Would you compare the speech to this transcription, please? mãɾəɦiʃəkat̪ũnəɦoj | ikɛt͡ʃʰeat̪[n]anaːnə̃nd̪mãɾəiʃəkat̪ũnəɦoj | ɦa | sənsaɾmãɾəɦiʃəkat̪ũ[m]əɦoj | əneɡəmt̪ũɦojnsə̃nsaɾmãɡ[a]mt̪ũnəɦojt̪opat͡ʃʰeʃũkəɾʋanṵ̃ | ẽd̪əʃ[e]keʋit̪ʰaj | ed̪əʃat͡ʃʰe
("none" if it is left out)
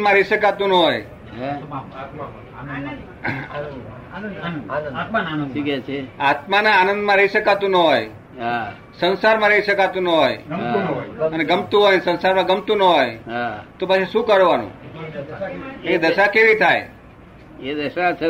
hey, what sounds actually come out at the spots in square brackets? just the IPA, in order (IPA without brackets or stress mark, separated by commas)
m, n, ə, a